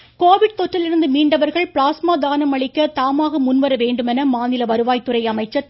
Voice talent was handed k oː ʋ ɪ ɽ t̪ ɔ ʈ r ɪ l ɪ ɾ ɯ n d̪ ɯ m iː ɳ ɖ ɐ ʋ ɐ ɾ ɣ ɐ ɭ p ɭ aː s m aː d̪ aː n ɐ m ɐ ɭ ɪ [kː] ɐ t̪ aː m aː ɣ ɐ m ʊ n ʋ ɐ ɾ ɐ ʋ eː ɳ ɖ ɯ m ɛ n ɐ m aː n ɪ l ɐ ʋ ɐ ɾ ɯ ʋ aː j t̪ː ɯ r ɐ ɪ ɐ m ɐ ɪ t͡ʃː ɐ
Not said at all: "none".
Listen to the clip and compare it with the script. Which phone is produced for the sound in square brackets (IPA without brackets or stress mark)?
kː